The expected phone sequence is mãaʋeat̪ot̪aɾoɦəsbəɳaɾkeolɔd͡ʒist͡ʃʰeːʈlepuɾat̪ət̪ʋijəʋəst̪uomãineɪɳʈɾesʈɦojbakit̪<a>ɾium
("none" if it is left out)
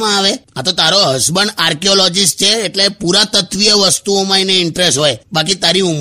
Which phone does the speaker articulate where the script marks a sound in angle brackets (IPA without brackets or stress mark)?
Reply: a